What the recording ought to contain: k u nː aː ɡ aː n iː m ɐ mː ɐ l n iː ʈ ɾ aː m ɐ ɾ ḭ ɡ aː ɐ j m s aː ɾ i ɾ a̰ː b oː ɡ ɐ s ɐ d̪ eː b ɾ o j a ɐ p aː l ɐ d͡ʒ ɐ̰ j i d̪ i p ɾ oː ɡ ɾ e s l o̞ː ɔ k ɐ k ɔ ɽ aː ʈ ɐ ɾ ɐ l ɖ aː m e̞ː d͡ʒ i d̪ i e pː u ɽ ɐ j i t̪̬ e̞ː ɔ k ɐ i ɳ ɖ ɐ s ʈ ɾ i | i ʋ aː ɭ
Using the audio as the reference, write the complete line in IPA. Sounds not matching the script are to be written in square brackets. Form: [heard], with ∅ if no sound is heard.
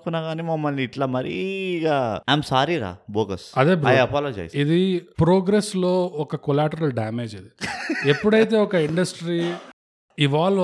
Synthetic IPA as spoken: k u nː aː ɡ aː n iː m ɐ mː ɐ l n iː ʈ [l] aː m ɐ ɾ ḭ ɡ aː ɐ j m s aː ɾ i ɾ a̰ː b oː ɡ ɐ s ɐ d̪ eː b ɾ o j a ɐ p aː l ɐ d͡ʒ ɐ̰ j i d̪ i p ɾ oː ɡ ɾ e s l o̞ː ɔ k ɐ k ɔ [l] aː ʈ ɐ ɾ ɐ l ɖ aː m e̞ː d͡ʒ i d̪ i e pː u ɽ ɐ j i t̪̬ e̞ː ɔ k ɐ i ɳ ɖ ɐ s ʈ ɾ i | i ʋ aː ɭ